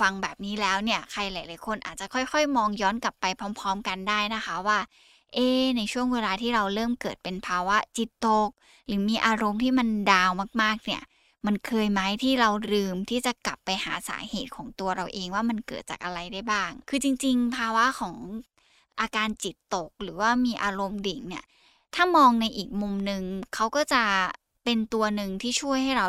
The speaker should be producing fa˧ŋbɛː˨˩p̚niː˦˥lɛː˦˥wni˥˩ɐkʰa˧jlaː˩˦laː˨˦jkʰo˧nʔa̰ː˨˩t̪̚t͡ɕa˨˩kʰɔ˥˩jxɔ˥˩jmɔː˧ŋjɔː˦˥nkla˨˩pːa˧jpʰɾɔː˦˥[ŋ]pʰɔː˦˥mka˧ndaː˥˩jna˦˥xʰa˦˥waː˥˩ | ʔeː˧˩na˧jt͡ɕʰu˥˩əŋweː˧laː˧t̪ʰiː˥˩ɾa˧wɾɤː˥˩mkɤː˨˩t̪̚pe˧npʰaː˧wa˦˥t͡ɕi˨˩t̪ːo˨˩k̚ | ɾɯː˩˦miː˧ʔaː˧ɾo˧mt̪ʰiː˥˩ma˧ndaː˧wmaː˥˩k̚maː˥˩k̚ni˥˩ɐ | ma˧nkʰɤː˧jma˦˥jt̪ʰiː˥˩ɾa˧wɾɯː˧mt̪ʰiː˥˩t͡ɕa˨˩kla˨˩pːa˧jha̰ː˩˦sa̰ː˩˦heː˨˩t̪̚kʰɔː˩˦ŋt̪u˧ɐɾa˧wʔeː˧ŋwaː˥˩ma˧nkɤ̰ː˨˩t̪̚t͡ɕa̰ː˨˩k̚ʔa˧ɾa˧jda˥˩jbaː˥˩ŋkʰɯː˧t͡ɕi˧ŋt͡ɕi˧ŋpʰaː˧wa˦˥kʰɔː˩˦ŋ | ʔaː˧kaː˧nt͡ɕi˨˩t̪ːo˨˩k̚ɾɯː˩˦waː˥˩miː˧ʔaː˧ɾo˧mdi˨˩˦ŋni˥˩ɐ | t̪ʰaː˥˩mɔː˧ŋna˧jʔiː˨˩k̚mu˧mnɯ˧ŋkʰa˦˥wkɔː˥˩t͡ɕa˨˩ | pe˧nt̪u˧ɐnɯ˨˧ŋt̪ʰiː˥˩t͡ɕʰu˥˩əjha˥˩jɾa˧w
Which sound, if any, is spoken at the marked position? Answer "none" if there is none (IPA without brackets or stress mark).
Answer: m